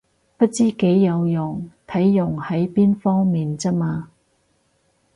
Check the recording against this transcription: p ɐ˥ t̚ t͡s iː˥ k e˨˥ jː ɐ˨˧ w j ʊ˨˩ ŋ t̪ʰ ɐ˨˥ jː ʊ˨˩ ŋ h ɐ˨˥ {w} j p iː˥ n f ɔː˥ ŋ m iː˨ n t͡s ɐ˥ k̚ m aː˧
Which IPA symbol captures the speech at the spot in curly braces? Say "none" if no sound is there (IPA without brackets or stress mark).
none